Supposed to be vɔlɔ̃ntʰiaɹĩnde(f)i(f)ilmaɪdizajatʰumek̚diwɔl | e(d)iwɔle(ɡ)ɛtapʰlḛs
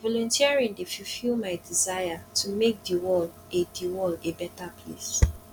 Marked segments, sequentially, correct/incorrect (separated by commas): correct, correct, correct, incorrect